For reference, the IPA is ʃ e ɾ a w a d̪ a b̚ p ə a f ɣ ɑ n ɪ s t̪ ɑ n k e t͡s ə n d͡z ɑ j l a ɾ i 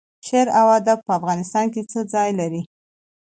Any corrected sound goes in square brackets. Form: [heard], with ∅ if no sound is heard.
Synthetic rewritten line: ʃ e ɾ a w a d̪ a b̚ p ə a f ɣ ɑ n ɪ s t̪ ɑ n k e t͡s ə [∅] d͡z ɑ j l a ɾ i